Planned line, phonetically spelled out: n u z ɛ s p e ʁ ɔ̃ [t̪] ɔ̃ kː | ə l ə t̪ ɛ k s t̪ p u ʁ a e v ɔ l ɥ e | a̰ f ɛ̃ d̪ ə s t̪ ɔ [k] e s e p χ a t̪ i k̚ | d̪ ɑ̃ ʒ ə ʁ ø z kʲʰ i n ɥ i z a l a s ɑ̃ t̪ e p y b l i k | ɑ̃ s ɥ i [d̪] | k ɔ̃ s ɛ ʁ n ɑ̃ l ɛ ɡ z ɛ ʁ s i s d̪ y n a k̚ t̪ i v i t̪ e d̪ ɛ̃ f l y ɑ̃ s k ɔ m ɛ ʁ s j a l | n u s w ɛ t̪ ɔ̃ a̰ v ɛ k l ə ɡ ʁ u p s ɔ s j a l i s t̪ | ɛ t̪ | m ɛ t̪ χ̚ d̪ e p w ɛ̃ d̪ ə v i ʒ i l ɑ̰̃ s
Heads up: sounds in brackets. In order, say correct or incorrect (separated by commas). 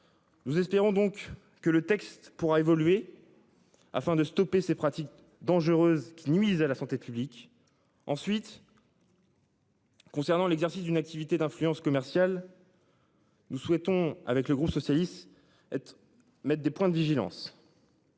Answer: incorrect, incorrect, incorrect